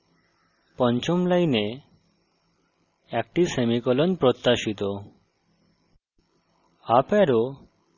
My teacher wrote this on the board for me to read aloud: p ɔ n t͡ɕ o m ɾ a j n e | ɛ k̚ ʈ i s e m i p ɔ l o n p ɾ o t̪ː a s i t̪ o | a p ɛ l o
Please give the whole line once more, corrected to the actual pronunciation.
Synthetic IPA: p ɔ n t͡ɕ o m l a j n e | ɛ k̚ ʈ i s e m i k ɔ l o n p ɾ o t̪ː a ʃ i t̪ o | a p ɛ ɾ o